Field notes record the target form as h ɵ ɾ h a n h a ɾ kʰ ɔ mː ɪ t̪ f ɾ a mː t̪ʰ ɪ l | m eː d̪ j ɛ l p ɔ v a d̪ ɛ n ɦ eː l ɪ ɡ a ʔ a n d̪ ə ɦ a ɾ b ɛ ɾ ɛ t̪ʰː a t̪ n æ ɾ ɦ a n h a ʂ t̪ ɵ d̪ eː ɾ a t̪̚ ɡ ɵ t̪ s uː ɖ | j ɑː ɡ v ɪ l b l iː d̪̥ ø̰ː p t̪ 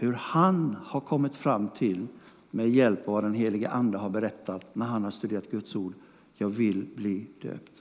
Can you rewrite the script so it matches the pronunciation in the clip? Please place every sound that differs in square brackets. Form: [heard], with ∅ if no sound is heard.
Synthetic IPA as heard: h ɵ ɾ h a n h a ɾ kʰ ɔ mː ɪ t̪ f ɾ a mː t̪ʰ ɪ l | m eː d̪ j ɛ l p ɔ v a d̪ ɛ n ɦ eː l ɪ ɡ [ə] ʔ a n d̪ ə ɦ a ɾ b ɛ ɾ ɛ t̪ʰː a t̪ n æ ɾ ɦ a n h a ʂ t̪ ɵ d̪ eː ɾ a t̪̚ ɡ ɵ t̪ s uː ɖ | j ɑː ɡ v ɪ l b l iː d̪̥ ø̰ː p t̪